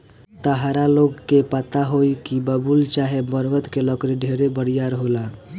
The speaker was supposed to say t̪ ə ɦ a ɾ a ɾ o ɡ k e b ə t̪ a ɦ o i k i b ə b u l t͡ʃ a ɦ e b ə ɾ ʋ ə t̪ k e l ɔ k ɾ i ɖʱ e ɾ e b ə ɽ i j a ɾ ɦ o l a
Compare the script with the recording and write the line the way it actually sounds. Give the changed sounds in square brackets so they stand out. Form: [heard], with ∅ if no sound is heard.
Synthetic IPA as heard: t̪ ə ɦ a ɾ a [l] o ɡ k e [p] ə t̪ a ɦ o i k i b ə b u l t͡ʃ a ɦ e b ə ɾ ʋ ə t̪ k e l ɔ k ɾ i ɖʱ e ɾ e b ə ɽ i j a ɾ ɦ o l a